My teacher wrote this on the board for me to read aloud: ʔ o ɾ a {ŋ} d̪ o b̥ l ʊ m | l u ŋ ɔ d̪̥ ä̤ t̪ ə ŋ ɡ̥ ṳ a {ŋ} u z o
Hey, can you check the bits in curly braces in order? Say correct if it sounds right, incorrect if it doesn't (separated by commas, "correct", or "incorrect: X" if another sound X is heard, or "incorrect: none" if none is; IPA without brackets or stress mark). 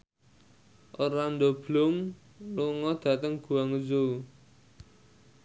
incorrect: n, correct